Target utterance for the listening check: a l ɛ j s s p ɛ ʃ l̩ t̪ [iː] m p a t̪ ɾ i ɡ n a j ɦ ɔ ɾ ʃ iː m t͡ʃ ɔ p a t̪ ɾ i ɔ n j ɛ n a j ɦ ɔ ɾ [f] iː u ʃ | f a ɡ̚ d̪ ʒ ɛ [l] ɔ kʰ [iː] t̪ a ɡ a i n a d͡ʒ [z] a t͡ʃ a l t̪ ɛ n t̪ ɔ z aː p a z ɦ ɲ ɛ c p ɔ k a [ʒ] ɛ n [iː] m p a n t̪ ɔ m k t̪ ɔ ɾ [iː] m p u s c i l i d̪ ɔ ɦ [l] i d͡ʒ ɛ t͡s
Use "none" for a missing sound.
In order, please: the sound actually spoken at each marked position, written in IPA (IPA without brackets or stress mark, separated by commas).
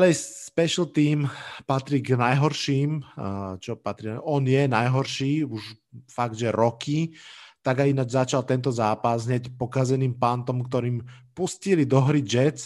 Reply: iː, ʃ, ɾ, i, z, z, iː, iː, ɾ